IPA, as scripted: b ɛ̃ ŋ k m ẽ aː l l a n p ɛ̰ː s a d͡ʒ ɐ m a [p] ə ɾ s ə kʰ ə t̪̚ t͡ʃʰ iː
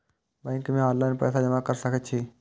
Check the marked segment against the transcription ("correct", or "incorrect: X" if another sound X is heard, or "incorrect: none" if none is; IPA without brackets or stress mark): incorrect: k